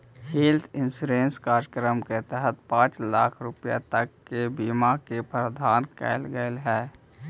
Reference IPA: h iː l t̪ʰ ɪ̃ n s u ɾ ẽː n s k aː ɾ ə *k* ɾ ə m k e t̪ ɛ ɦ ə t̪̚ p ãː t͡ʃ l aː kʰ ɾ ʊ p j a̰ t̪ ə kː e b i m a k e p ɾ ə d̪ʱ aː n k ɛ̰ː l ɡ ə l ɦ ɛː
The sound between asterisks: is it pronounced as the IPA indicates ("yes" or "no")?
yes